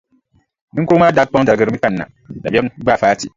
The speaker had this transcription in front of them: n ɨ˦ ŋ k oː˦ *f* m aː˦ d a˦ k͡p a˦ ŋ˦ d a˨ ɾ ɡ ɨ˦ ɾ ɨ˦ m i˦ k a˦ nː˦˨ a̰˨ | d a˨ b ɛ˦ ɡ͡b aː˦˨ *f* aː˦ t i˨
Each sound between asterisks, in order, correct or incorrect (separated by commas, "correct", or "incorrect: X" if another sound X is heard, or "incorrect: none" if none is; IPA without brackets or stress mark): incorrect: none, correct